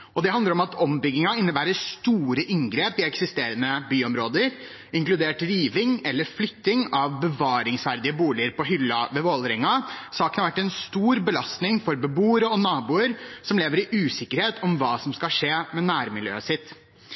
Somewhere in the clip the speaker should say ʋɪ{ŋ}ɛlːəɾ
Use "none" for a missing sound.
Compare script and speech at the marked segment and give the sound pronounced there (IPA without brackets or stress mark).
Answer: ŋ